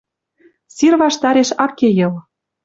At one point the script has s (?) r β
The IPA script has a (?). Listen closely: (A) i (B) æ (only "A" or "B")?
A